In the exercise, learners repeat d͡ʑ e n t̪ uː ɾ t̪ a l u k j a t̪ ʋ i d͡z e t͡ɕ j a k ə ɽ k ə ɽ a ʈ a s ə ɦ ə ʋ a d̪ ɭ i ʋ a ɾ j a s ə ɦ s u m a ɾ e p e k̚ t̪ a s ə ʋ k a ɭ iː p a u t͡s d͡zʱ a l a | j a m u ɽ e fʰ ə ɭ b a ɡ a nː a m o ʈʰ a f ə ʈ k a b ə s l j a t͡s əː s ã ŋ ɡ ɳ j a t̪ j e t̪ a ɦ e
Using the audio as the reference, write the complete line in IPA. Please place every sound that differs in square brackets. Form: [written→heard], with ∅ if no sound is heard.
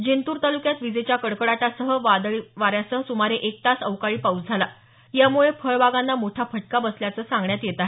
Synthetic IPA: d͡ʑ e n t̪ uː ɾ t̪ a l u k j a t̪ ʋ i d͡z e t͡ɕ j a k ə ɽ k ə ɽ a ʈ a s ə ɦ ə ʋ a d̪ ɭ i ʋ a ɾ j a s ə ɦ s u m a ɾ e [p→ʔ] e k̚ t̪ a s ə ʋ k a ɭ iː p a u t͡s d͡zʱ a l a | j a m u [ɽ→ɭ] e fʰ ə ɭ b a ɡ a nː a m o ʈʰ a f ə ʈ k a b ə s l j a t͡s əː s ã ŋ ɡ ɳ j a t̪ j e t̪ a ɦ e